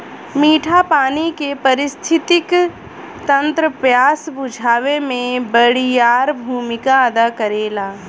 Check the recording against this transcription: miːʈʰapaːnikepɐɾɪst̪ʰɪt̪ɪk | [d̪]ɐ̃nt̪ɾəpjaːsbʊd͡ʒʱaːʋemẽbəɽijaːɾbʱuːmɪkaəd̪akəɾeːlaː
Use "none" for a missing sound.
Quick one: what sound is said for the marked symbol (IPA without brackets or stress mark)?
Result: t̪